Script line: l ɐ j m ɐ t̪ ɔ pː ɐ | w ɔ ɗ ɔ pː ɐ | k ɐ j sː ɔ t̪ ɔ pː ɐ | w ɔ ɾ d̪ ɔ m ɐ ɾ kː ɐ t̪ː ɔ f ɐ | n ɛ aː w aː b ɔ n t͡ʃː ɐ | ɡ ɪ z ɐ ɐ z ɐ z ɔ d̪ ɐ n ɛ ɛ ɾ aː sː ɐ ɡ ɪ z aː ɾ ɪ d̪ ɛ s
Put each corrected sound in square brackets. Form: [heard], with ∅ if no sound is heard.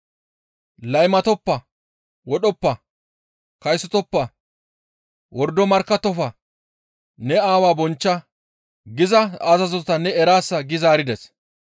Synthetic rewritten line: l ɐ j m ɐ t̪ ɔ pː ɐ | w ɔ ɗ ɔ pː ɐ | k ɐ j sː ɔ t̪ ɔ pː ɐ | w ɔ ɾ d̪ ɔ m ɐ ɾ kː ɐ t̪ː ɔ f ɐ | n ɛ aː w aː b ɔ n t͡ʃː ɐ | ɡ ɪ z ɐ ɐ z ɐ z ɔ [t̪] ɐ n ɛ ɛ ɾ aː sː ɐ ɡ ɪ z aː ɾ ɪ d̪ ɛ s